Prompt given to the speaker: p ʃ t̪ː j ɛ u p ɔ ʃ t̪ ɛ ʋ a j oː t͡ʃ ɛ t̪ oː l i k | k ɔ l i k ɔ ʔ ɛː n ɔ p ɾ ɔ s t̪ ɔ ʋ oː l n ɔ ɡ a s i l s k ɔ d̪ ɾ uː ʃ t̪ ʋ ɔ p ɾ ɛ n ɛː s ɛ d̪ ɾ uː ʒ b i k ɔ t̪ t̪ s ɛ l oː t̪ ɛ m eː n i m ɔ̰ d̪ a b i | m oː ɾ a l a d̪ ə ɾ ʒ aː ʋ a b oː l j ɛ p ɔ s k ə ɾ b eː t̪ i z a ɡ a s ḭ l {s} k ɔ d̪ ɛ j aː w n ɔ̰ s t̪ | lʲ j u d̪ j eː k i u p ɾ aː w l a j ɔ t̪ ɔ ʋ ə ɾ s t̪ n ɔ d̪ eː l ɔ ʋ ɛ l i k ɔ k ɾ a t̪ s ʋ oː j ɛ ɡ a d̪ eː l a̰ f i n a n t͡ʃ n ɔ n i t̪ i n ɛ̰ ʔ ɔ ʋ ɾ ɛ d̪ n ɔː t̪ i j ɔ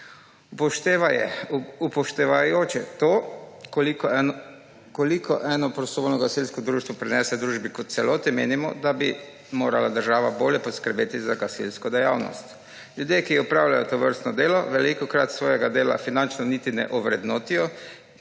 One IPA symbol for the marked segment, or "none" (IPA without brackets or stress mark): s